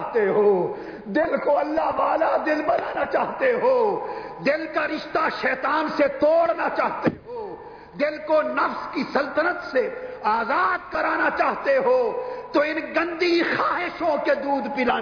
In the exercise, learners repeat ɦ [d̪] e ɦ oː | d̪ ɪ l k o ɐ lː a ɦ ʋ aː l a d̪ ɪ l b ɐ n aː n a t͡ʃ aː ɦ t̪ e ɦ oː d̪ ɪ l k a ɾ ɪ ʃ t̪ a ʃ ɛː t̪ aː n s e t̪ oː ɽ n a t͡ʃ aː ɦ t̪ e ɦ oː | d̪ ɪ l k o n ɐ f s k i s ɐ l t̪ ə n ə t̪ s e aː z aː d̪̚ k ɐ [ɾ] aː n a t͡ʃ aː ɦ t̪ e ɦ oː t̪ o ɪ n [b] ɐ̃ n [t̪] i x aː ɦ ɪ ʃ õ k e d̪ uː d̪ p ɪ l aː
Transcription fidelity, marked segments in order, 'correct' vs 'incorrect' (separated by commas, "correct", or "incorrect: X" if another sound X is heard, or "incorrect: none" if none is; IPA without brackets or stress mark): incorrect: t̪, correct, incorrect: ɡ, incorrect: d̪